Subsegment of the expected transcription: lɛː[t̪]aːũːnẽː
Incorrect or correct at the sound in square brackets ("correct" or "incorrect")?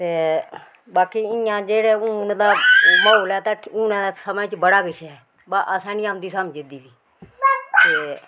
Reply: correct